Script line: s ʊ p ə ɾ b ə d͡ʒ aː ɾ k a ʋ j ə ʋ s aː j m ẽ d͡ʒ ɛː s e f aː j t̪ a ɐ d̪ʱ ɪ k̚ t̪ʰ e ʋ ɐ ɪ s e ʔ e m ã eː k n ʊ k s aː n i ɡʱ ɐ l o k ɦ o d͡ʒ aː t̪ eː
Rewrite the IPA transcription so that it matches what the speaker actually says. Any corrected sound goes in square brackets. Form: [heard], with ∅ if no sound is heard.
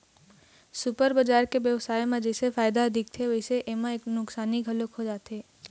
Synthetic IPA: s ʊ p ə ɾ b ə d͡ʒ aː ɾ k [e] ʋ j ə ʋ s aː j m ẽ d͡ʒ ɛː s e f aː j [d̪] a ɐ d̪ʱ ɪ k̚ t̪ʰ e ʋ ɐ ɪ s e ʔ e m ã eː k n ʊ k s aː n i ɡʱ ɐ l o k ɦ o d͡ʒ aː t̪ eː